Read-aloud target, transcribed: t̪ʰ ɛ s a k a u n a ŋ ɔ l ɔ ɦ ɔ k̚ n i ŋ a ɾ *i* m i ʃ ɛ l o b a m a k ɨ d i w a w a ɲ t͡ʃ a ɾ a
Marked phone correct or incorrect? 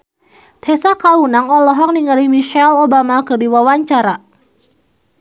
correct